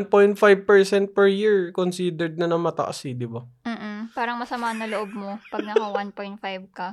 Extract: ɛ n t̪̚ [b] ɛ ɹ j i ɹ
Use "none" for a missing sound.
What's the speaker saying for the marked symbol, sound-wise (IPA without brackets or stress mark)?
p